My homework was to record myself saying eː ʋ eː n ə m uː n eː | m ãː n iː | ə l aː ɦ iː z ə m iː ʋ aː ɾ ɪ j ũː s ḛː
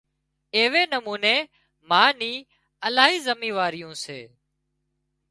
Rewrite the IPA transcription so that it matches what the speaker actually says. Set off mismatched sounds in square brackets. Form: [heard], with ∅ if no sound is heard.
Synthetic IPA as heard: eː ʋ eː n ə m uː n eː | m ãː n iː | ə l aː ɦ iː z ə m iː ʋ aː ɾ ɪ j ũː s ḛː

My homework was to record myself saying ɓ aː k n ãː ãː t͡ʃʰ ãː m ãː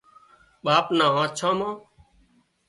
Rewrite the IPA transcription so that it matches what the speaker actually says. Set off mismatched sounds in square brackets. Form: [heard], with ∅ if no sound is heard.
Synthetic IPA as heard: ɓ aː [p] n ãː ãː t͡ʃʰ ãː m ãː

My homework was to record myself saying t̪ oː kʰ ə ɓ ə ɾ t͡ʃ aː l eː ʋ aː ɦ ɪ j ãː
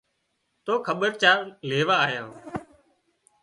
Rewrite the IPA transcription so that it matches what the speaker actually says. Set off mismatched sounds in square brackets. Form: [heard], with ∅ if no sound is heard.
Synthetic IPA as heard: t̪ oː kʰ ə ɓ ə ɾ t͡ʃ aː l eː ʋ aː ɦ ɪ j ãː

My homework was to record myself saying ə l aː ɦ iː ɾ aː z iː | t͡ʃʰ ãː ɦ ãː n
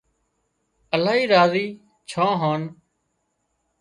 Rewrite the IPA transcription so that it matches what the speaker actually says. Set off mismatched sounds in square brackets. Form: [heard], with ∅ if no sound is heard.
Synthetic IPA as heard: ə l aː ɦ iː ɾ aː z iː | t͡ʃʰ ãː ɦ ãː n

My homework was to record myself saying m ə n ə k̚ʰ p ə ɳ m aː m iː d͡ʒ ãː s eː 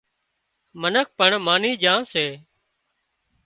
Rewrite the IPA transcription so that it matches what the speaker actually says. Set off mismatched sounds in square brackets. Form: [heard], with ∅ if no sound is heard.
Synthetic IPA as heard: m ə n ə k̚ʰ p ə ɳ m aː [n] iː d͡ʒ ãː s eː

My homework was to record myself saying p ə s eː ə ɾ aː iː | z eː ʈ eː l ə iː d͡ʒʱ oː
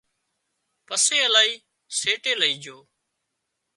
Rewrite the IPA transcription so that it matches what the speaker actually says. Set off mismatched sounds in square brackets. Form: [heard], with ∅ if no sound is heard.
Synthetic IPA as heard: p ə s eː ə [l] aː iː | [s] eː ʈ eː l ə iː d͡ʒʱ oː

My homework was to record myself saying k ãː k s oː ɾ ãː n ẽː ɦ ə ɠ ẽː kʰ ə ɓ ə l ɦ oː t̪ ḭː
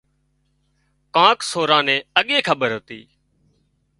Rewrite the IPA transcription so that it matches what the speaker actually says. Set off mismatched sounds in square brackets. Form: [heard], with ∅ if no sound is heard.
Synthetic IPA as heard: k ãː k s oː ɾ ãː n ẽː [∅] ə ɠ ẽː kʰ ə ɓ ə [ɾ] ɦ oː t̪ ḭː

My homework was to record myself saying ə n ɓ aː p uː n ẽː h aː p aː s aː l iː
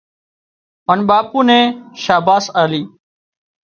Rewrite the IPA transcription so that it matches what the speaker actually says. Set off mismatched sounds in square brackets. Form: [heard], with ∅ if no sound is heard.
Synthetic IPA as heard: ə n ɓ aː p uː n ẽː [ʃ] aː [b] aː s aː l iː

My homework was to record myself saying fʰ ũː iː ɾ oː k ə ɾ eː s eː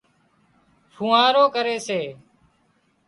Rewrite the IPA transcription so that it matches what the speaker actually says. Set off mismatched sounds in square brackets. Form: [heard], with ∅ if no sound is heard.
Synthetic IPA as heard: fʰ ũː [aː] ɾ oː k ə ɾ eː s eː

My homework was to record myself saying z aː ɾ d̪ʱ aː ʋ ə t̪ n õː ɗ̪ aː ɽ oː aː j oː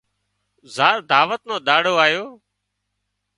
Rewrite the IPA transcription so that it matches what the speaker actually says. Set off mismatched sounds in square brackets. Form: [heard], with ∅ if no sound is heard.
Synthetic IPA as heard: z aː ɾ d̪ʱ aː ʋ ə t̪ n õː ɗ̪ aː ɽ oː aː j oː

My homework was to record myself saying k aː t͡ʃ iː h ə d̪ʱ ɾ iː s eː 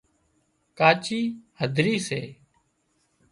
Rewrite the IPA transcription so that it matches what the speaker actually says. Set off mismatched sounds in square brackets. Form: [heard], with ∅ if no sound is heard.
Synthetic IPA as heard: k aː t͡ʃ iː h ə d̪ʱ ɾ iː s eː

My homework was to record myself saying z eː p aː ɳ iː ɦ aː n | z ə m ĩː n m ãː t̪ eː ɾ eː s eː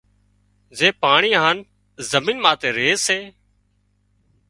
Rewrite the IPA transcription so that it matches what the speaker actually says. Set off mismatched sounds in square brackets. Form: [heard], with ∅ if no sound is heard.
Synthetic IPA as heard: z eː p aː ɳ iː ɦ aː n | z ə m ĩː n m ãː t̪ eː ɾ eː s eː

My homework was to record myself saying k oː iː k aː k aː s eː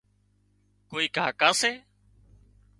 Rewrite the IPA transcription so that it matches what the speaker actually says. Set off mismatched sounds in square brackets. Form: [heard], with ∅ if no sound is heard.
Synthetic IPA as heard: k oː iː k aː k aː s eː

